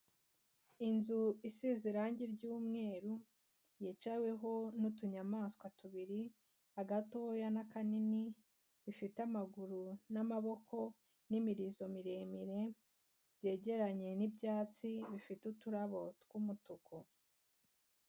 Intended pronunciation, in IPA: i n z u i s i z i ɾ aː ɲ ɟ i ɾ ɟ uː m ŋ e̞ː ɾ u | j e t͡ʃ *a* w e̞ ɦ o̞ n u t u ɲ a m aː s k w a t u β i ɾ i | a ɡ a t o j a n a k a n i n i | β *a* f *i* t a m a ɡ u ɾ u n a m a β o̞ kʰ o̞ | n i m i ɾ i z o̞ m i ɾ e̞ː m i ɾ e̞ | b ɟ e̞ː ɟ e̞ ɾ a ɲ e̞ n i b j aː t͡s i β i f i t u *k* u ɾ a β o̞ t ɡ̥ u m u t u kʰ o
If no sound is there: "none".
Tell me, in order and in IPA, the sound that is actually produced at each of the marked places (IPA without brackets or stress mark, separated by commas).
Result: a, i, i, t